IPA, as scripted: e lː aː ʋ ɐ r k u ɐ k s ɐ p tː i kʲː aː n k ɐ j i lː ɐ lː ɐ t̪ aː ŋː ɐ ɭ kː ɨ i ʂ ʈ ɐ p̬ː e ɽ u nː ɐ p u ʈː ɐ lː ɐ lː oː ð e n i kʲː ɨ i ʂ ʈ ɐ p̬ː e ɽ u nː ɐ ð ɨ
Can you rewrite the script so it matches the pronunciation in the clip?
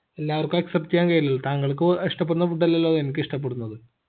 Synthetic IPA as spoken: e lː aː ʋ ɐ r k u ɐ k s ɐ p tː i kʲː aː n k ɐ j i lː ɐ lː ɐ t̪ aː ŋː ɐ ɭ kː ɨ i ʂ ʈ ɐ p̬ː e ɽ u nː ɐ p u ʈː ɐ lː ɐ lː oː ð e n i kʲː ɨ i ʂ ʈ ɐ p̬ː e ɽ u nː ɐ ð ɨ